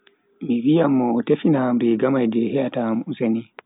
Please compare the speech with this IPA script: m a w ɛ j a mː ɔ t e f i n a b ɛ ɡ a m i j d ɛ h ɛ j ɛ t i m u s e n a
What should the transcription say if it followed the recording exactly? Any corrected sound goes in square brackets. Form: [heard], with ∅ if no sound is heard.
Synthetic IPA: m [i] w [i] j a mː ɔ t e f i n a b ɛ ɡ a m [a] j d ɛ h ɛ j [a] t [a] m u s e n [i]